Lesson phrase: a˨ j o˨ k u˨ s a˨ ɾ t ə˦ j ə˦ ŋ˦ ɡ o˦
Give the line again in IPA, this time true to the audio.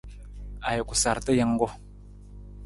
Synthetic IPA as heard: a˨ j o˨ k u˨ s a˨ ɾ t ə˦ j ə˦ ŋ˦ ɡ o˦